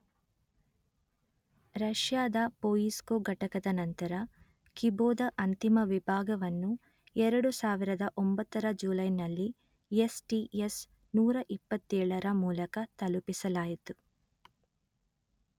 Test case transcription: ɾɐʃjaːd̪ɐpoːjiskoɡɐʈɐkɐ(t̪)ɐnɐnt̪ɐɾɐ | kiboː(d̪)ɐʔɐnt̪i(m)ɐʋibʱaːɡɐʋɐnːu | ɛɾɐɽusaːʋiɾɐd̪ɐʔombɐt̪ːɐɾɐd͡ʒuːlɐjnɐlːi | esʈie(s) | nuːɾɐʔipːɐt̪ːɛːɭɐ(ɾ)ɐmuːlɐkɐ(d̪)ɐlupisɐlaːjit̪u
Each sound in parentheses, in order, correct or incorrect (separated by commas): incorrect, correct, correct, correct, correct, incorrect